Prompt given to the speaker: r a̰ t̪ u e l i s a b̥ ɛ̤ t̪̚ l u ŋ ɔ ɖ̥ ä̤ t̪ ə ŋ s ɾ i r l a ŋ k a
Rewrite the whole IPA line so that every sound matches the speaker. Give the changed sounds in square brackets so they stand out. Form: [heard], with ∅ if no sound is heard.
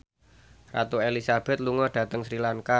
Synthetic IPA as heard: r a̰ t̪ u e l i s a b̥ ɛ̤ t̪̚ l u ŋ ɔ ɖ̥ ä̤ t̪ ə ŋ s ɾ i [∅] l a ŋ k a